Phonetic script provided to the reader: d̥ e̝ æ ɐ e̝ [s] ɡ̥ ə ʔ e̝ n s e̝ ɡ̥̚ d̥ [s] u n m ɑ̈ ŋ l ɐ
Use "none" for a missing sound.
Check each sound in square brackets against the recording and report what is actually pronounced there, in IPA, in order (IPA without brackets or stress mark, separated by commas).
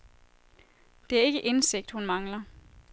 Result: none, h